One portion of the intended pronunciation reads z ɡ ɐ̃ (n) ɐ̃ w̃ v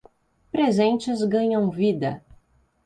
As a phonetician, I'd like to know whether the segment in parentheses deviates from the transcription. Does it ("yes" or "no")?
yes